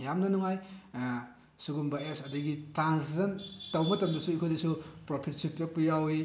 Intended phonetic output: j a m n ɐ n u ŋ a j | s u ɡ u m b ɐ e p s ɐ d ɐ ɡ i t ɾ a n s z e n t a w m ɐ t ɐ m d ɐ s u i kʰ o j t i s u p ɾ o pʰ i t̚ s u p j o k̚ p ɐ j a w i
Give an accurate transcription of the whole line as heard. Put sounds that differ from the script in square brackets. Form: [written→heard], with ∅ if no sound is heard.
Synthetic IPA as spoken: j a m n ɐ n u ŋ a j | s u ɡ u m b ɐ e p s ɐ d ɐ ɡ i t ɾ a n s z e n t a w m ɐ t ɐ m d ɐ s u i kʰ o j [t→d] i s u p ɾ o pʰ i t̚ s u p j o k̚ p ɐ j a w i